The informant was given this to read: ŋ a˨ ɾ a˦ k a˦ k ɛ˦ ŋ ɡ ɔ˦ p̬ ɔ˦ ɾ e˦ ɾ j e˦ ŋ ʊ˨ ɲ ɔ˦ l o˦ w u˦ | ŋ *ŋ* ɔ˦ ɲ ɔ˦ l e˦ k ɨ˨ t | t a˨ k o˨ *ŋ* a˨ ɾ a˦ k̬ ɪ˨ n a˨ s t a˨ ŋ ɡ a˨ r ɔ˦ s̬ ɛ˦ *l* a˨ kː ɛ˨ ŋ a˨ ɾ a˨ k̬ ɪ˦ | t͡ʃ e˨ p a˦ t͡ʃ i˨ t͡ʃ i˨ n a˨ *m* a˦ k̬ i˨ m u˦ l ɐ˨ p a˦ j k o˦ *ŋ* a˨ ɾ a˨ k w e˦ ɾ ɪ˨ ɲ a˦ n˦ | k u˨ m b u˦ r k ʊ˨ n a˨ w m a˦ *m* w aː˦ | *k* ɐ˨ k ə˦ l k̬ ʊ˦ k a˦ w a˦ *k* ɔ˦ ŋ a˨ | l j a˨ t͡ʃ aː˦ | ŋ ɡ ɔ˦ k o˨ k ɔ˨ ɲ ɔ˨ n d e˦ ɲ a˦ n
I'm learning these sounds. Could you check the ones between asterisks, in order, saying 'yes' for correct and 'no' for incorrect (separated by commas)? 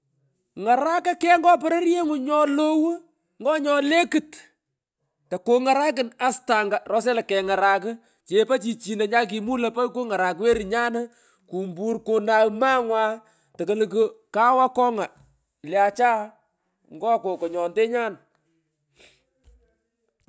no, yes, yes, no, yes, no, no, yes